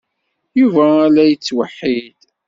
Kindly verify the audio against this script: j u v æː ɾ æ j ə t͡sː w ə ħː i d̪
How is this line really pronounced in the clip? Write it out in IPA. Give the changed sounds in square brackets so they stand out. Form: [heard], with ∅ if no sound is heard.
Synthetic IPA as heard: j u v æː [l] æ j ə t͡sː w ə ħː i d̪

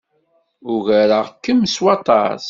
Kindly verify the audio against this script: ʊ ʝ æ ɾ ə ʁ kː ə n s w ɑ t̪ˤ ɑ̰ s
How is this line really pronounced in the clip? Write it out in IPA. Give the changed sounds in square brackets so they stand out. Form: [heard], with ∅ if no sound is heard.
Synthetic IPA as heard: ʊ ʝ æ ɾ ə ʁ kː ə [m] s w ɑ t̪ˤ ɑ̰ s

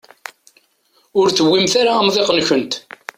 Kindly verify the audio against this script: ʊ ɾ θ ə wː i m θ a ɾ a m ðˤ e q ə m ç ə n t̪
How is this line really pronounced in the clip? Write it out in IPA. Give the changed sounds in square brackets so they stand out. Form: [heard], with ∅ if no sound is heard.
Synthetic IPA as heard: ʊ ɾ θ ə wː i m θ a ɾ a m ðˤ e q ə [n] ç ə n t̪

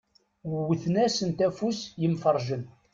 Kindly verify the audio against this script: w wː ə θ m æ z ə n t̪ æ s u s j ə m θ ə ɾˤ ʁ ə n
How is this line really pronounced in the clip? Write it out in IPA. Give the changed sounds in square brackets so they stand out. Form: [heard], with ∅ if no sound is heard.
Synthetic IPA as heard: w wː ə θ [n] æ [s] ə n t̪ æ [f] u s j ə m [f] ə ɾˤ [ʒ] ə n

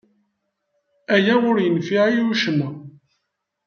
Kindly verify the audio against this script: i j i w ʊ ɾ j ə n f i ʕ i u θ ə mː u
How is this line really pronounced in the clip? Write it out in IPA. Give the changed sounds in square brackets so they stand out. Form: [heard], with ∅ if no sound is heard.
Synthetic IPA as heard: [æ] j [æ] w ʊ ɾ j ə n f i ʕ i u [ʃ] ə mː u

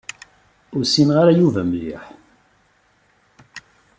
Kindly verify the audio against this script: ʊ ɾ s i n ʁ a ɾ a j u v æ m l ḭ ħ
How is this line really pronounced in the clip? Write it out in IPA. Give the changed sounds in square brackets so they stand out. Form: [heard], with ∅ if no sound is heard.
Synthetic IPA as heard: ʊ ɾ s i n ʁ a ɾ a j u v æ m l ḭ ħ

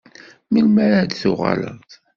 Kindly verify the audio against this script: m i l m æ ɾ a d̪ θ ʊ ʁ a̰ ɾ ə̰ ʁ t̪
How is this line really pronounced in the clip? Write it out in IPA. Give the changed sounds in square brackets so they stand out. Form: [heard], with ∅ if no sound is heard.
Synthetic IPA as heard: m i l m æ ɾ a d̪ θ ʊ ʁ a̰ [l] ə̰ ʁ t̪

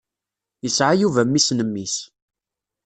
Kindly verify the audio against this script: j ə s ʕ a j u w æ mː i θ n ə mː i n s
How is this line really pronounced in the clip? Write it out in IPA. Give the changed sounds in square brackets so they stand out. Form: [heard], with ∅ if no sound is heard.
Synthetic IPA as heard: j ə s ʕ a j u [v] æ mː i [s] n ə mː i [∅] s

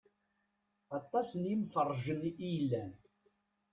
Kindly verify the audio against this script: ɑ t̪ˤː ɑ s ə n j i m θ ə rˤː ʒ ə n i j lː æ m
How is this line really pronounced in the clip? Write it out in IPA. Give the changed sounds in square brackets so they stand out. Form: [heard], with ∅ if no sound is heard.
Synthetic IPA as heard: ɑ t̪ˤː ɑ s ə n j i m [f] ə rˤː ʒ ə n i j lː æ [n]

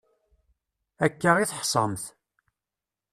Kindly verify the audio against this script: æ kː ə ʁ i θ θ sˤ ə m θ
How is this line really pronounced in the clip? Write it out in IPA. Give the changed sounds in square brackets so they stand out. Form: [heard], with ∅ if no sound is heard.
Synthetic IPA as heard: æ kː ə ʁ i θ [ħ] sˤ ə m θ

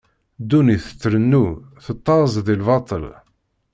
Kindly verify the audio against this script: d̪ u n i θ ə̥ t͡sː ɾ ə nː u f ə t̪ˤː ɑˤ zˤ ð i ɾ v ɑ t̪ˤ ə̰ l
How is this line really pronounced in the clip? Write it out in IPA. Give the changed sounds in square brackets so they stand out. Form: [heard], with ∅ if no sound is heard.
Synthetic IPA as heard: d̪ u n i θ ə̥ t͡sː ɾ ə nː u [θ] ə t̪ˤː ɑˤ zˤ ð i [l] v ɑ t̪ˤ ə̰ l

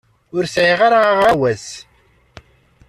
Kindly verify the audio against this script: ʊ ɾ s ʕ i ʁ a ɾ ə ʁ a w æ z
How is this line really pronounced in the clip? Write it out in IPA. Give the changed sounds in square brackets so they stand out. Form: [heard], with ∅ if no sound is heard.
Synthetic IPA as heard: ʊ ɾ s ʕ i ʁ a ɾ [a] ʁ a w æ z

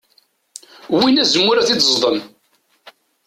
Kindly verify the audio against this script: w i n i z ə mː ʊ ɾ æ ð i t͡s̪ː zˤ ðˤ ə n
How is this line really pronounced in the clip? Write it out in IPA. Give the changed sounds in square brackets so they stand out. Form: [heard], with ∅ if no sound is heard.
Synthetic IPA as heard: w i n [æ] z ə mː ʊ ɾ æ [θ] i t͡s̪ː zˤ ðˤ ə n

